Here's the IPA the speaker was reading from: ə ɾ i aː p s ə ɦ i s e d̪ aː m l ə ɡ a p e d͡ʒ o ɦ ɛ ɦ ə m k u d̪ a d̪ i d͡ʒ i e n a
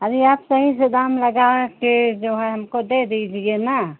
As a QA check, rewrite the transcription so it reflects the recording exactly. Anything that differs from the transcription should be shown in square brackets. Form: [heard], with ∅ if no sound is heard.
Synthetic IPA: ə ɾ i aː p s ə ɦ i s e d̪ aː m l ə ɡ a [k] e d͡ʒ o ɦ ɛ ɦ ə m k [o] d̪ [e] d̪ i d͡ʒ i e n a